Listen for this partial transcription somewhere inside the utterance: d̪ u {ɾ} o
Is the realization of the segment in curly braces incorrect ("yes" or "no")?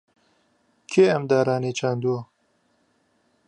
yes